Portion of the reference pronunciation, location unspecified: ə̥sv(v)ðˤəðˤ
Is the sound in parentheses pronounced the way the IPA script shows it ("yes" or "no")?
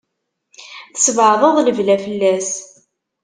no